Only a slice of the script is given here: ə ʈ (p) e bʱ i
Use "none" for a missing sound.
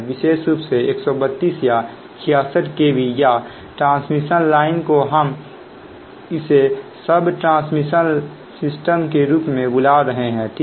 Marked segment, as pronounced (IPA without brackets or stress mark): k